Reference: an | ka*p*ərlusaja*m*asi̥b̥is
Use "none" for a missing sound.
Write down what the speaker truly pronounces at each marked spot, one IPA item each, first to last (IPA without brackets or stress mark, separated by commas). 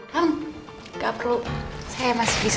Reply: p, m